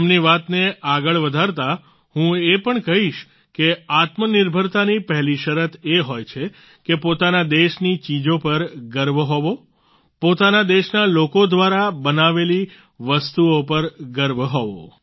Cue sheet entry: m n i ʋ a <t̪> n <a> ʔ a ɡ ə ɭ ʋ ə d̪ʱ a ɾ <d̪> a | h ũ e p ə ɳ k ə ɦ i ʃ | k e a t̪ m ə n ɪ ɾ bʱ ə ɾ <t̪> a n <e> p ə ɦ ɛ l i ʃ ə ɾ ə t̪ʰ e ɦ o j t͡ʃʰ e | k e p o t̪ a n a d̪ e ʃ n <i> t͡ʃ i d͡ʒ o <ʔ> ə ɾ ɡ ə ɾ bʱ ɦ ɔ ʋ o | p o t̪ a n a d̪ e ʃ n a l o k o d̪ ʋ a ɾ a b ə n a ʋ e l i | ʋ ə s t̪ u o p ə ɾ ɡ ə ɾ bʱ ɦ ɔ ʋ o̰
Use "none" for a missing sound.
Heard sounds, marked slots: t̪, e, t̪, t̪, i, i, p

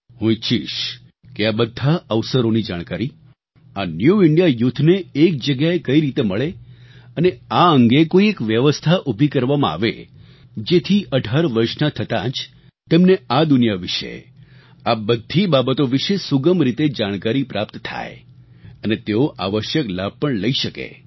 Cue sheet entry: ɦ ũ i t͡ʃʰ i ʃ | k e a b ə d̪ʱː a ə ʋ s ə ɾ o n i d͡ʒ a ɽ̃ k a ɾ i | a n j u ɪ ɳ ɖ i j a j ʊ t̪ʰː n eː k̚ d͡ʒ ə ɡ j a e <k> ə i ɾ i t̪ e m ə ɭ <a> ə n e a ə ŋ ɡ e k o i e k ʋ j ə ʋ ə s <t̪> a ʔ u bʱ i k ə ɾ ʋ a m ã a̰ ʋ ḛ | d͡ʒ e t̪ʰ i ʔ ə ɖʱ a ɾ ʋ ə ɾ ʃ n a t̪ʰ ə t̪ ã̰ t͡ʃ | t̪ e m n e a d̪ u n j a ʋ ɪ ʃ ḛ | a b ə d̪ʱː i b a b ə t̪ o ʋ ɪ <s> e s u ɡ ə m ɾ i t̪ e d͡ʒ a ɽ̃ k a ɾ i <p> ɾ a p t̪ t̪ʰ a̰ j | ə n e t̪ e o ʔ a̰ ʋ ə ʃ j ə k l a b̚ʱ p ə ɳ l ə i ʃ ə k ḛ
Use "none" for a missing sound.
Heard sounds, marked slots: k, e, t̪ʰ, ʃ, p

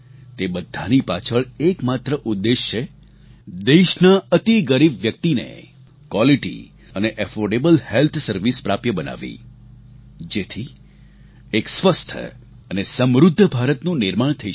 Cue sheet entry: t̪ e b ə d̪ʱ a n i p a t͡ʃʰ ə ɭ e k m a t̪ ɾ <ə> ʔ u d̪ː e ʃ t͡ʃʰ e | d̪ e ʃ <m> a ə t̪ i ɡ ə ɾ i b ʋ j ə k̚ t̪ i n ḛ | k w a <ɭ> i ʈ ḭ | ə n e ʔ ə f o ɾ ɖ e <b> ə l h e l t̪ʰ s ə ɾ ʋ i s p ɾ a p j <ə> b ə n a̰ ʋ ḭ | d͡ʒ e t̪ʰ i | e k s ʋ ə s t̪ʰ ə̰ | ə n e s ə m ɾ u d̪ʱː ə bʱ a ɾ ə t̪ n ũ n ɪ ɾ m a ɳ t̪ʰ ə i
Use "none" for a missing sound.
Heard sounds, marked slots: ə, n, l, b, ə

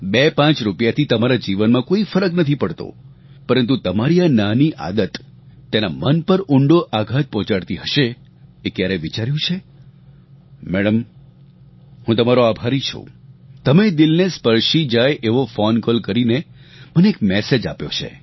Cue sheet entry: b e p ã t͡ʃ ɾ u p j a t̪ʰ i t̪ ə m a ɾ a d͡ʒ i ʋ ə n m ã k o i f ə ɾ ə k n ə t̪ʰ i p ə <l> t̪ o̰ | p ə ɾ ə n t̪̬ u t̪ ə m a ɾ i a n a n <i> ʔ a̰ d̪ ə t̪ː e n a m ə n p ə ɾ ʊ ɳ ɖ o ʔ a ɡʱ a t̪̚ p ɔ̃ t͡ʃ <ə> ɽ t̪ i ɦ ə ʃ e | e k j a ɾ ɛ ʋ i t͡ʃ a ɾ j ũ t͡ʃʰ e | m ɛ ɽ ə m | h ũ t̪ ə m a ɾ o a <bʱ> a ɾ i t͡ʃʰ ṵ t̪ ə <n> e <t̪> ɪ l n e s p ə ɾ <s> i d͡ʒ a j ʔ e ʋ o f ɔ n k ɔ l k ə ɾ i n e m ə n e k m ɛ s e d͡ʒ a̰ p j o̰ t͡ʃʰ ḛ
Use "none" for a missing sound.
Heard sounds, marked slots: ɽ, i, a, bʱ, m, d̪, ʃ

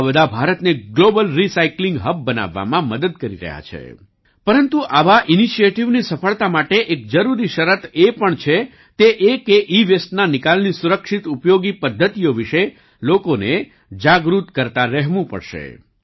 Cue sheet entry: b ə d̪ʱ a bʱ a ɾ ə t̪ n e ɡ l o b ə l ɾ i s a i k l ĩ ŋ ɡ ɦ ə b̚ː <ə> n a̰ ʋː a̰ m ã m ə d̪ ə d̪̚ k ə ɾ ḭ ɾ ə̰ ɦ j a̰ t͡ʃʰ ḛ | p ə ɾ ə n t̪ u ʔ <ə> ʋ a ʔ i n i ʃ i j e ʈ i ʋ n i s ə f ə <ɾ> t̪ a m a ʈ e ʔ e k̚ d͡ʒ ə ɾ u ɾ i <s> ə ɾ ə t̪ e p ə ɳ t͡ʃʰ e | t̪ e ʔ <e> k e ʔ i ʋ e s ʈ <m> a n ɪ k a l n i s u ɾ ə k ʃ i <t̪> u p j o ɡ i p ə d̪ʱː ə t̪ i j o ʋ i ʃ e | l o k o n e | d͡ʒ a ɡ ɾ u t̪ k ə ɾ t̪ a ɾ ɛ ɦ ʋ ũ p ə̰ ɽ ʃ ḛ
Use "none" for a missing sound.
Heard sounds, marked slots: ə, a, ɭ, ʃ, e, n, t̪

